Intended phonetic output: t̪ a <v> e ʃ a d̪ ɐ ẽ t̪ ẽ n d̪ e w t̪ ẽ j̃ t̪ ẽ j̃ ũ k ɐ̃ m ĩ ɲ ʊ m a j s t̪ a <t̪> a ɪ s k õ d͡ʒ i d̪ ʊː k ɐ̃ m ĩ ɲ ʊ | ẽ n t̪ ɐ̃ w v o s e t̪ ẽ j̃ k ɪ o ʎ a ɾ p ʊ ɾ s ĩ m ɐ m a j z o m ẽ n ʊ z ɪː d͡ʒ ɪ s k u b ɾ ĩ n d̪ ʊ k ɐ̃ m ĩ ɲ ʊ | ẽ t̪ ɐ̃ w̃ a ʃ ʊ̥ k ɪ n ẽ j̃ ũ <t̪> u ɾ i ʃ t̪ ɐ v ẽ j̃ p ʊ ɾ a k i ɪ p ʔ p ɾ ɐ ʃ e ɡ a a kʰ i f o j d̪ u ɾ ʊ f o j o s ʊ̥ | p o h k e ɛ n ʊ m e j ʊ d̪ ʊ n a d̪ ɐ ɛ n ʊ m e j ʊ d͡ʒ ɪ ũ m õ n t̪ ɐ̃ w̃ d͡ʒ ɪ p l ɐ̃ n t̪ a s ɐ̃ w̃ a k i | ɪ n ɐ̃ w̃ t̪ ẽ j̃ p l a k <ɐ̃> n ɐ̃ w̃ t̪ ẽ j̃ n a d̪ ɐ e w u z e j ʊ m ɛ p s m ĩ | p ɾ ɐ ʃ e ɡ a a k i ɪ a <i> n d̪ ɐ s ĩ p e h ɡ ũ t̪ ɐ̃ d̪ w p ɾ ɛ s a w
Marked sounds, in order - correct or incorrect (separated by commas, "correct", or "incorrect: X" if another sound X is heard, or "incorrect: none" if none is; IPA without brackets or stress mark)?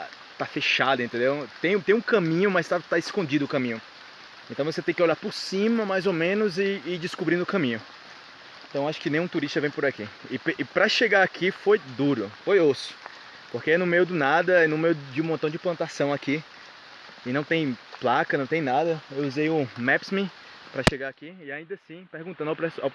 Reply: incorrect: f, correct, correct, incorrect: ɐ, incorrect: ĩ